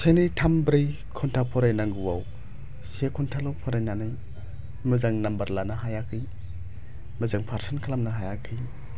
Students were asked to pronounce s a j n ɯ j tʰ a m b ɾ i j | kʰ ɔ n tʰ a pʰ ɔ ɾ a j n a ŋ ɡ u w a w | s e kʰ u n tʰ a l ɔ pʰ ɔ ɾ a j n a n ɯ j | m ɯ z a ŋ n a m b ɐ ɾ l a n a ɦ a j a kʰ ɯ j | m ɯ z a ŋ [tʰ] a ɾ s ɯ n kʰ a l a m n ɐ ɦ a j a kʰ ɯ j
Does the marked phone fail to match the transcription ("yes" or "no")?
yes